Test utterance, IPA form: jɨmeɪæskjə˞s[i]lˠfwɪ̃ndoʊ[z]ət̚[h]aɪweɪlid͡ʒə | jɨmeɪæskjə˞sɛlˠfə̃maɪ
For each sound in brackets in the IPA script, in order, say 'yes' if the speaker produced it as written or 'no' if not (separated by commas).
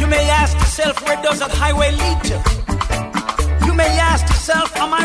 no, yes, yes